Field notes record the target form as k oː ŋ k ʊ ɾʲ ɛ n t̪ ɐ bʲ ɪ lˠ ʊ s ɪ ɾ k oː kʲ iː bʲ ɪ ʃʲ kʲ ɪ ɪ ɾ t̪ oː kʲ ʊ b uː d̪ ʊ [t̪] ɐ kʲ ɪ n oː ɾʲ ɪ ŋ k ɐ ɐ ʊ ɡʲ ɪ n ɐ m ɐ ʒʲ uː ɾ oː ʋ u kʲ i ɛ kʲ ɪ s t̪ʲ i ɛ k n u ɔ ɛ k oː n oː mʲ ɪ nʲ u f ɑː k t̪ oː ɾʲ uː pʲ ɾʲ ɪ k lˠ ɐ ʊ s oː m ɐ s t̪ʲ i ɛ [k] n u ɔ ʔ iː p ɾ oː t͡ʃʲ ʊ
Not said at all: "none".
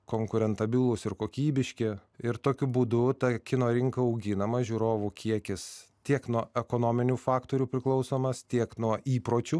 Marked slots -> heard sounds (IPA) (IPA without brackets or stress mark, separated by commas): t̪, k